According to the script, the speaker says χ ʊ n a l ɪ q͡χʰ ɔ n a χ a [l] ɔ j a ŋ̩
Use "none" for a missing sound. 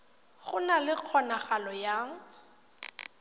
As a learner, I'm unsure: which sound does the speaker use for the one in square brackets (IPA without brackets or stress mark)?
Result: l